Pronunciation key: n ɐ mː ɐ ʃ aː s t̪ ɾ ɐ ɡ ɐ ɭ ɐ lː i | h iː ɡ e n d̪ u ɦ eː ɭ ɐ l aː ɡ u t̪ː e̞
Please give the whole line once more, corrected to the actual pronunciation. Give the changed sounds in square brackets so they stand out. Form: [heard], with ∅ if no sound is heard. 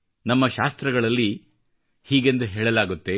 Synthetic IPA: n ɐ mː ɐ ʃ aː s t̪ ɾ ɐ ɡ ɐ ɭ ɐ lː i | h iː ɡ e n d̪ u ɦ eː ɭ ɐ l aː ɡ u t̪ː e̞